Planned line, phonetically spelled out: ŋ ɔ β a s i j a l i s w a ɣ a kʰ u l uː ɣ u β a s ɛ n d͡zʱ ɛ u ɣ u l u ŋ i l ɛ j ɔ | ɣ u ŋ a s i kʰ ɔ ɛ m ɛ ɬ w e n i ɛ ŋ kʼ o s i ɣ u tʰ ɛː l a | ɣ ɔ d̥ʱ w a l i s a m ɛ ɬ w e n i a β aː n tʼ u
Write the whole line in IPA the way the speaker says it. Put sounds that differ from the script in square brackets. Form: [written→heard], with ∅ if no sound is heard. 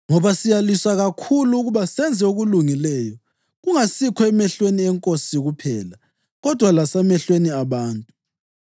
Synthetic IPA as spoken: ŋ ɔ β a s i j a l i s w a ɣ a kʰ u l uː ɣ u β a s ɛ n d͡zʱ ɛ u ɣ u l u ŋ i l ɛ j ɔ | ɣ u ŋ a s i kʰ ɔ ɛ m ɛ ɬ w e n i ɛ ŋ kʼ o s i ɣ u [tʰ→pʰ] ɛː l a | ɣ ɔ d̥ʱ w a l [i→a] s a m ɛ ɬ w e n i a β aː n tʼ u

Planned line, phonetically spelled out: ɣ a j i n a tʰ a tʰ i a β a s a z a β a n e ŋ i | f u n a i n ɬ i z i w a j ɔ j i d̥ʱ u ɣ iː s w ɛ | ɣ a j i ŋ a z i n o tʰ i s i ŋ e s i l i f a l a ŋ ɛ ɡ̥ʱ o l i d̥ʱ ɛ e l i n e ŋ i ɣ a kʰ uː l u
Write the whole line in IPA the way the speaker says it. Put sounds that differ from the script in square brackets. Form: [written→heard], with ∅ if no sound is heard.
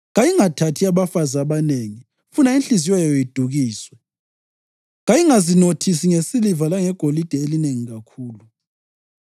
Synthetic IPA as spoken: ɣ a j i [n→ŋ] a tʰ a tʰ i a β a [s→f] a z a β a n e ŋ i | f u n a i n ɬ i z i w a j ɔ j i d̥ʱ u ɣ iː s w ɛ | ɣ a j i ŋ a z i n o tʰ i s i ŋ e s i l i [f→v] a l a ŋ ɛ ɡ̥ʱ o l i d̥ʱ ɛ e l i n e ŋ i ɣ a kʰ uː l u

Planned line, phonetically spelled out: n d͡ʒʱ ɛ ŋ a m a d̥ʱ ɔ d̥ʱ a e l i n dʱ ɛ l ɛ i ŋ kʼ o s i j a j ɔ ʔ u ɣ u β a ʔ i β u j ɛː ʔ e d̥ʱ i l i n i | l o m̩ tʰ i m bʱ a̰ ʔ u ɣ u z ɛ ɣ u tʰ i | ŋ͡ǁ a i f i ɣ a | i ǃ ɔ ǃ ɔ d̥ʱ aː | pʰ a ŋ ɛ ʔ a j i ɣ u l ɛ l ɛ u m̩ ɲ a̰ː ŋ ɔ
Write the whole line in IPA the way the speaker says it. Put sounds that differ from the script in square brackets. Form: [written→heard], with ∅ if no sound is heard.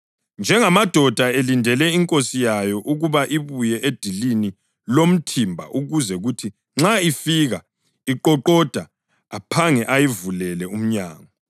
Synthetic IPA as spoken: n d͡ʒʱ ɛ ŋ a m a d̥ʱ ɔ d̥ʱ a e l i n dʱ ɛ l ɛ i ŋ kʼ o s i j a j ɔ ʔ u ɣ u β a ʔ i β u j [ɛː→ɛ] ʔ e d̥ʱ i l i n i | l o m̩ tʰ i m bʱ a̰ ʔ u ɣ u z ɛ ɣ u tʰ i | ŋ͡ǁ a i f i ɣ a | i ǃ ɔ ǃ ɔ d̥ʱ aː | pʰ a ŋ ɛ ʔ a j i [ɣ→v] u l ɛ l ɛ u m̩ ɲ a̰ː ŋ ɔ

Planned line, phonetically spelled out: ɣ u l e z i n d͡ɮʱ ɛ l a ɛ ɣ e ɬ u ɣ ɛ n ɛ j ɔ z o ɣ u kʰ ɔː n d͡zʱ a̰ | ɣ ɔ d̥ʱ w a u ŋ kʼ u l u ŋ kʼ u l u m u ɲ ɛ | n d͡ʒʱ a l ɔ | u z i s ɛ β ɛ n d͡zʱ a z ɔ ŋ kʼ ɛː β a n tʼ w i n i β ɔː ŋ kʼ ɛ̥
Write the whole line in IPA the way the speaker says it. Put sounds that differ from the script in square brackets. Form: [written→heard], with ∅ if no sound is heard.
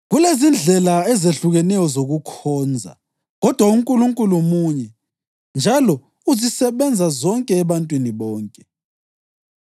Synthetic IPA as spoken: ɣ u l e z i n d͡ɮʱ ɛ l a ɛ [ɣ→z] e ɬ u ɣ ɛ n ɛ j ɔ z o ɣ u kʰ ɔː n d͡zʱ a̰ | ɣ ɔ d̥ʱ w a u ŋ kʼ u l u ŋ kʼ u l u m u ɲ ɛ | n d͡ʒʱ a l ɔ | u z i s ɛ β ɛ n d͡zʱ a z ɔ ŋ kʼ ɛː β a n tʼ w i n i β ɔː ŋ kʼ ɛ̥

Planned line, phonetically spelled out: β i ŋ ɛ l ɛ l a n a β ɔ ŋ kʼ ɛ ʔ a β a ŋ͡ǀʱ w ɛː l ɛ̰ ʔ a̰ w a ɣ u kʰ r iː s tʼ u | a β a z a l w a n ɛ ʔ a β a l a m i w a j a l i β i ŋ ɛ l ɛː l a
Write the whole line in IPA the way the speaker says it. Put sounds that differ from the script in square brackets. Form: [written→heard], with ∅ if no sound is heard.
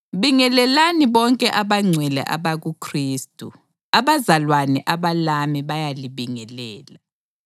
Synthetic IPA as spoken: β i ŋ ɛ l ɛ l a n [a→i] β ɔ ŋ kʼ ɛ ʔ a β a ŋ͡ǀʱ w [ɛː→ɛ] l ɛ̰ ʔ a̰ [w→β] a ɣ u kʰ r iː s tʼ u | a β a z a l w a n ɛ ʔ a β a l a m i [w→β] a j a l i β i ŋ ɛ l ɛː l a

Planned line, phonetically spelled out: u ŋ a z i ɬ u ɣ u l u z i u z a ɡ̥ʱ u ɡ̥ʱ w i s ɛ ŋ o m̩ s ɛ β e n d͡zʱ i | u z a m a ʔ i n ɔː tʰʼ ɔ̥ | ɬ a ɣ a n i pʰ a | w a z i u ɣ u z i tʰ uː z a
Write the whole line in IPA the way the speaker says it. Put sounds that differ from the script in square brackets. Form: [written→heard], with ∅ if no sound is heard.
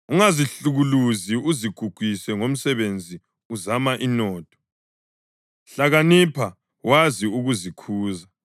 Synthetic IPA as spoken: u ŋ a z i ɬ u ɣ u l u z i u z [a→i] ɡ̥ʱ u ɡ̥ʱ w i s ɛ ŋ o m̩ s ɛ β e n d͡zʱ i | u z a m a ʔ i n ɔː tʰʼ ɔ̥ | ɬ a ɣ a n i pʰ a | w a z i u ɣ u z i [tʰ→kʰ] uː z a

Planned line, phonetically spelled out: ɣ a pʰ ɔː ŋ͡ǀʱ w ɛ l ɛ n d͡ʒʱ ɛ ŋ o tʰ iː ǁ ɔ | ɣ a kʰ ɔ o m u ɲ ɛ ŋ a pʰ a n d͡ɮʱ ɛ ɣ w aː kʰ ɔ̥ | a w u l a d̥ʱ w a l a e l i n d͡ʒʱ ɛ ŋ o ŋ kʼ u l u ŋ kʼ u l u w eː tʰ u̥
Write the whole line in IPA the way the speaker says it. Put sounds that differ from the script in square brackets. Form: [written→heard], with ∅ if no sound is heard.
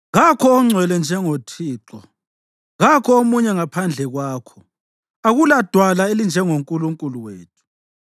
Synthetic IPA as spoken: ɣ a [pʰ→kʰ] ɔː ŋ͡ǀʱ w ɛ l ɛ n d͡ʒʱ ɛ ŋ o tʰ iː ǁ ɔ | ɣ a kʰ ɔ o m u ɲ ɛ ŋ a pʰ a n d͡ɮʱ ɛ ɣ w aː kʰ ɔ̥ | a [w→ɣ] u l a d̥ʱ w a l a e l i n d͡ʒʱ ɛ ŋ o ŋ kʼ u l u ŋ kʼ u l u w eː tʰ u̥

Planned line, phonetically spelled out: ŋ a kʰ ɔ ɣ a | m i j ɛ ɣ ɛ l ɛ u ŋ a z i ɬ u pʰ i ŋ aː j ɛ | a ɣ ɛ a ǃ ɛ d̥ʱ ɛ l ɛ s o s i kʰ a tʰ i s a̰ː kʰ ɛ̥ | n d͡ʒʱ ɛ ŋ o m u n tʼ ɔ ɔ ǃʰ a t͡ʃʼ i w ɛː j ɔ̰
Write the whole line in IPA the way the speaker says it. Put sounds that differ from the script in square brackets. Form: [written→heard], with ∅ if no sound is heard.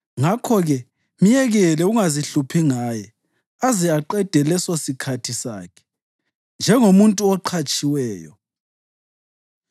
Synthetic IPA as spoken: ŋ a kʰ ɔ ɣ [a→ɛ] | m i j ɛ ɣ ɛ l ɛ u ŋ a z i ɬ u pʰ i ŋ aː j ɛ | a [ɣ→z] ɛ a ǃ ɛ d̥ʱ ɛ l ɛ s o s i kʰ a tʰ i s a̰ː kʰ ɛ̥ | n d͡ʒʱ ɛ ŋ o m u n tʼ [ɔ→u] ɔ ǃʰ a t͡ʃʼ i w ɛː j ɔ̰

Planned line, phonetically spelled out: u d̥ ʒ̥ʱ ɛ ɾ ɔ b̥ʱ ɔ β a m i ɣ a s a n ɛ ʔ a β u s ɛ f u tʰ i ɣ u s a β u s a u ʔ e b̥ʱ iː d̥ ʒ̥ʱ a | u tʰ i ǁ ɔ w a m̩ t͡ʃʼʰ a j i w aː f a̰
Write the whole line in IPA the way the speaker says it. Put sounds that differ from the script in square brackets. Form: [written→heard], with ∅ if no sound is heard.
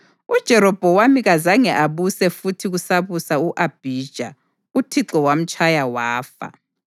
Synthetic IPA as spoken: u d̥ ʒ̥ʱ ɛ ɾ ɔ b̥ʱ ɔ [β→w] a m i ɣ a [s→z] a [n→ŋ] ɛ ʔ a β u s ɛ f u tʰ i ɣ u s a β u s a u ʔ [e→a] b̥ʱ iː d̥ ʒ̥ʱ a | u tʰ i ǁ ɔ w a m̩ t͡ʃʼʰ a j [i→a] w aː f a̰

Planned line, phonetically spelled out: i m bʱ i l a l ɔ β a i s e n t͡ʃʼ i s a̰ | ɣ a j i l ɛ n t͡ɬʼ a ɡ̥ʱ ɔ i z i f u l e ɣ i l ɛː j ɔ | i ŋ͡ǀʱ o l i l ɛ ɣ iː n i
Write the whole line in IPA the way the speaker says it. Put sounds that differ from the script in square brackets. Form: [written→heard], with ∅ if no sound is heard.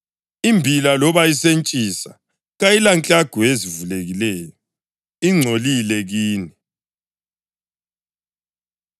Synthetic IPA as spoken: i m bʱ i l a l ɔ β a i s e n t͡ʃʼ i s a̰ | ɣ a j i l [ɛ→a] n t͡ɬʼ a ɡ̥ʱ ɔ [i→e] z i [f→v] u l e ɣ i l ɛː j ɔ | i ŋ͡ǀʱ o l i l ɛ ɣ iː n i

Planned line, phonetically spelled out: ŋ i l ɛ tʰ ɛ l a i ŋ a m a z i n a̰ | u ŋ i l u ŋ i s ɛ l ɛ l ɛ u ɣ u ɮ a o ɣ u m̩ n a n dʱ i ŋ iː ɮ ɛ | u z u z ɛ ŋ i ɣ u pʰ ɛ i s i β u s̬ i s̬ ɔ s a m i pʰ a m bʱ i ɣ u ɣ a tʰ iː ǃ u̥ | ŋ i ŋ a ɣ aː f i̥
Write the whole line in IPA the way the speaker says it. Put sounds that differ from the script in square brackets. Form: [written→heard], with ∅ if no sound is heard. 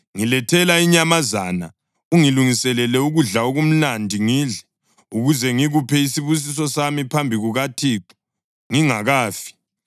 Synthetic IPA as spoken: ŋ i l ɛ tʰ ɛ l a i [ŋ→ɲ] a m a z [i→a] n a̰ | u ŋ i l u ŋ i s ɛ l ɛ l ɛ u ɣ u ɮ a o ɣ u m̩ n a n dʱ i ŋ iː ɮ ɛ | u [z→ɣ] u z ɛ ŋ i ɣ u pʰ ɛ i s i β u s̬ i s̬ ɔ s a m i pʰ a m bʱ i ɣ u ɣ a tʰ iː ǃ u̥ | ŋ i ŋ a ɣ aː f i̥

